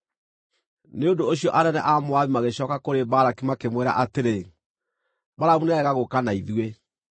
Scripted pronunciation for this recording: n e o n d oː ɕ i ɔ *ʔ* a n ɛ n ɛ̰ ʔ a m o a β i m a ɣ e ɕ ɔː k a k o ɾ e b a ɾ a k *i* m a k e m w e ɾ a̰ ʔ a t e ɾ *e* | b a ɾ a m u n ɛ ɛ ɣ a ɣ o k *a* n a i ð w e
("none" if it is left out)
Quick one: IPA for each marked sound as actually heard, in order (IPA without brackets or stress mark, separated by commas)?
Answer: ʔ, i, e, a